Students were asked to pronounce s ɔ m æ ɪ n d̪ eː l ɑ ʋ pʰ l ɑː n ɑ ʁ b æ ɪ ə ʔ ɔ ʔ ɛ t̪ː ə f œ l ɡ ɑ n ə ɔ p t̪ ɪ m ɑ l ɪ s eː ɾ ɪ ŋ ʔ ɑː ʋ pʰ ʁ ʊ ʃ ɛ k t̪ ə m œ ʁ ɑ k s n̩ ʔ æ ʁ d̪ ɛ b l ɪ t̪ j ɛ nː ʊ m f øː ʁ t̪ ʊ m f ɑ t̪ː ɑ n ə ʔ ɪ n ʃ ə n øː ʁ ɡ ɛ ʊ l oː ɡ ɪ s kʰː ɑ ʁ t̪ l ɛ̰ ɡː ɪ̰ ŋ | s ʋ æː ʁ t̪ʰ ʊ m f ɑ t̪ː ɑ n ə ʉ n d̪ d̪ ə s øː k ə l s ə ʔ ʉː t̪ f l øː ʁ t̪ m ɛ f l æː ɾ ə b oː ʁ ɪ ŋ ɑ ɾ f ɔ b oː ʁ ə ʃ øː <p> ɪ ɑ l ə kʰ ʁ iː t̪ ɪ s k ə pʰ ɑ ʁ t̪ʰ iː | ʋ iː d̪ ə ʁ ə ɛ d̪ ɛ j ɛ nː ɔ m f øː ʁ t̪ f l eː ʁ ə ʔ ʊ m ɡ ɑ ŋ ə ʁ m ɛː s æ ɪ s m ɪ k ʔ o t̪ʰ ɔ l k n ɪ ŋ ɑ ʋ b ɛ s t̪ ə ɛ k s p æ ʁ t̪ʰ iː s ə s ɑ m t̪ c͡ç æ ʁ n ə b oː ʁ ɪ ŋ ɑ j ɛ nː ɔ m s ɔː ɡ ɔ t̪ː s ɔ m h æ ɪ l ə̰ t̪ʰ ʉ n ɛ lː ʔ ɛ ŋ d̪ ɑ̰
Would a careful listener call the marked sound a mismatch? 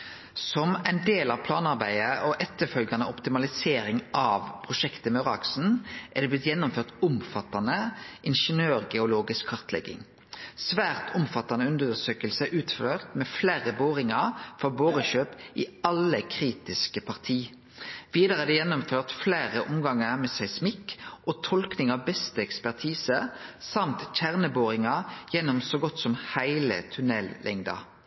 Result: no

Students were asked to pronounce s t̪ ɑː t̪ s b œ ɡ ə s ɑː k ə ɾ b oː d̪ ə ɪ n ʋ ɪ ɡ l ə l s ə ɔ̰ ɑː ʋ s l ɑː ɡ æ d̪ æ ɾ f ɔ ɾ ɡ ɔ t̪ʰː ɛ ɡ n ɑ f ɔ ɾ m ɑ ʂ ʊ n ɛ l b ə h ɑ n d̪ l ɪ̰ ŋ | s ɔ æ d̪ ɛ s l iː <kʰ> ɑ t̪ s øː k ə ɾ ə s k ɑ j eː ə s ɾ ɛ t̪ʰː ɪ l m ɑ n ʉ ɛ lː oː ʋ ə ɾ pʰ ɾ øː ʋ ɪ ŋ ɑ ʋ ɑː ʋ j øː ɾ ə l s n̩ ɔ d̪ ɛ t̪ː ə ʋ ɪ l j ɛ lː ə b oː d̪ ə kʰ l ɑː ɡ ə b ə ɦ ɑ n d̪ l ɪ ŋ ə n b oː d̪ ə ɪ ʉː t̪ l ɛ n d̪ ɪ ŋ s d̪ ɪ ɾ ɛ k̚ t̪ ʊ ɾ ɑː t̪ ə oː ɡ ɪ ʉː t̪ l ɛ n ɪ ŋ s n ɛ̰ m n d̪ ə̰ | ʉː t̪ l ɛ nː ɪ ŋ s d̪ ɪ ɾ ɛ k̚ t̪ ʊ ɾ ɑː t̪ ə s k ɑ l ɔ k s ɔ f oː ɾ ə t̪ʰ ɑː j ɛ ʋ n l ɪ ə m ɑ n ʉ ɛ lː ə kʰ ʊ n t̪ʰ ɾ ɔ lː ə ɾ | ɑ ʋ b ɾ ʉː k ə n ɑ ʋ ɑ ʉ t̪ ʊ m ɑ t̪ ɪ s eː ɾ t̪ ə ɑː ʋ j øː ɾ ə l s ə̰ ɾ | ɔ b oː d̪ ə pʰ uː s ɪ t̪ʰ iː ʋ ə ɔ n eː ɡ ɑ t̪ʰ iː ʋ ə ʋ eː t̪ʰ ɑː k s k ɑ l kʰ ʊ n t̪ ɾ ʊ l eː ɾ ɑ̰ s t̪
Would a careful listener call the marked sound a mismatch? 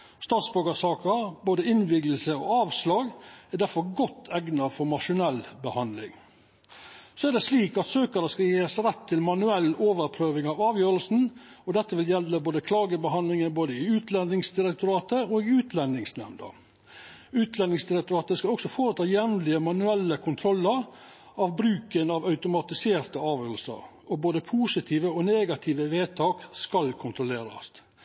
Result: yes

